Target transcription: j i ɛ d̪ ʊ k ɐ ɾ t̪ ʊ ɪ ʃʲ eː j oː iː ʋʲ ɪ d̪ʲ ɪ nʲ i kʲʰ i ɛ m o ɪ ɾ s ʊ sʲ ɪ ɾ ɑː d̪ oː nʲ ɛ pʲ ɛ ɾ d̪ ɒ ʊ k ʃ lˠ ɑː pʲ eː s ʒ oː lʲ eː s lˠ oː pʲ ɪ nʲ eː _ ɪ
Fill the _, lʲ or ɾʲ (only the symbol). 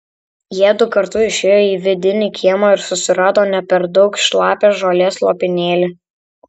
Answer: lʲ